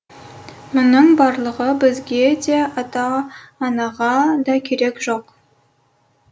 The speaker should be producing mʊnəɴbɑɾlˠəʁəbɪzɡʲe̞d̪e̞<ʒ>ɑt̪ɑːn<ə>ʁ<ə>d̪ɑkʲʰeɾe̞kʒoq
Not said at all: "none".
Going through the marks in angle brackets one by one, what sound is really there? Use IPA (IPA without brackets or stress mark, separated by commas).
none, ɑ, ɑ